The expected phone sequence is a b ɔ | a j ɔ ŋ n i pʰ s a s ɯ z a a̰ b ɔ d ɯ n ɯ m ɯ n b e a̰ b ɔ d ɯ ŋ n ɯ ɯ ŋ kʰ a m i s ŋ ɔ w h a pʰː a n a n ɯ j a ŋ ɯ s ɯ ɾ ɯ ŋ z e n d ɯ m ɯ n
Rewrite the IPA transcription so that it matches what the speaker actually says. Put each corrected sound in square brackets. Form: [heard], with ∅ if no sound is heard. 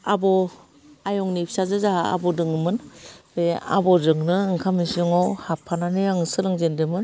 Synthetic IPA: a b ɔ | a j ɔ ŋ n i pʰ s a [z] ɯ z a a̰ b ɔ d ɯ [ŋ] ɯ m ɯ n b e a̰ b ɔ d ɯ ŋ n ɯ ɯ ŋ kʰ a m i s ŋ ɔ w h a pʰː a n a n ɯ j a ŋ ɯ s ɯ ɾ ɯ ŋ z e n d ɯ m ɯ n